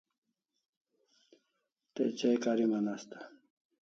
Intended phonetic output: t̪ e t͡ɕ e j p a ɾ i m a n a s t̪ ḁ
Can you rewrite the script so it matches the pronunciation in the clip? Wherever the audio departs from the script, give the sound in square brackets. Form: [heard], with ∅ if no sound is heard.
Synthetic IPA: t̪ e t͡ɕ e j [k] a ɾ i m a n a s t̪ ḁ